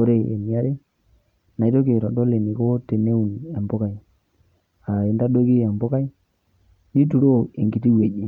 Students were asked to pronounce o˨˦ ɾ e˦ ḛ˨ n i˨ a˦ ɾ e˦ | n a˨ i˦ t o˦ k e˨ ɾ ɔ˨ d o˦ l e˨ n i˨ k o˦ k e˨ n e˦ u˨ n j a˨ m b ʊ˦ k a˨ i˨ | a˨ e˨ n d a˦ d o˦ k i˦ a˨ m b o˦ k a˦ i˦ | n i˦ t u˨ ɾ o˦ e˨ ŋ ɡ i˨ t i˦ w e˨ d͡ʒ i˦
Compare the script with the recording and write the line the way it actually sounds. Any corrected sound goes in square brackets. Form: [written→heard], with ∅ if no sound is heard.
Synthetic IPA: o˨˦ ɾ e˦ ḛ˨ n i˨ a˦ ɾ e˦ | n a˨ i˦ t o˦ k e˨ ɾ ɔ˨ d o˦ l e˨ n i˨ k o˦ [k→t] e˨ n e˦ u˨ n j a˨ m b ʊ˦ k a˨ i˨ | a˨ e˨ n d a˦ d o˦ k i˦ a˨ m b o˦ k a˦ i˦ | n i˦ t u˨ ɾ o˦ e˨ ŋ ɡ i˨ t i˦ w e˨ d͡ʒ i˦